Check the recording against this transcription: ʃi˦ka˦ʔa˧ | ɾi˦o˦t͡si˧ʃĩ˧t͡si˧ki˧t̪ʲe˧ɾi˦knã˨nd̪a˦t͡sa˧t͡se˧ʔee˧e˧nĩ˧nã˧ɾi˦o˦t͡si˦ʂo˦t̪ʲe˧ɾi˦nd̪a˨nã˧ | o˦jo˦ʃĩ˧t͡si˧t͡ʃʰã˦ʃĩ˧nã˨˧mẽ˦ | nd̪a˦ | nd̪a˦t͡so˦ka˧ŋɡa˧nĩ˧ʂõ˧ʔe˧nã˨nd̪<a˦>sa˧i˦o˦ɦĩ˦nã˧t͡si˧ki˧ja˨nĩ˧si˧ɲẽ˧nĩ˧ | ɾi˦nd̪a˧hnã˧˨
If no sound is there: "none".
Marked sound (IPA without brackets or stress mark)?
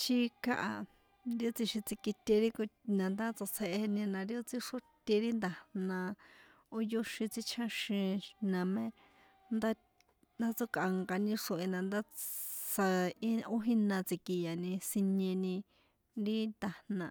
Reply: a˦